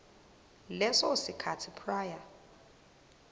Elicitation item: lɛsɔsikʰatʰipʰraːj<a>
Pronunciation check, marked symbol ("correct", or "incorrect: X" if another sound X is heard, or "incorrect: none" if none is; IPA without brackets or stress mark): correct